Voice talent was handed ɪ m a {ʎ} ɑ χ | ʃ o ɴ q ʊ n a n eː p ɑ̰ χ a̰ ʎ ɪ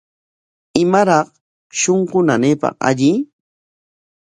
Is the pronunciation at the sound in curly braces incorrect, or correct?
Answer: incorrect